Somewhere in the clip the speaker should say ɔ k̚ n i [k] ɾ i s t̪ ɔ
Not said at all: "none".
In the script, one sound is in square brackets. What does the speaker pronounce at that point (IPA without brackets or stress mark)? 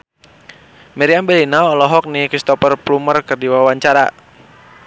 k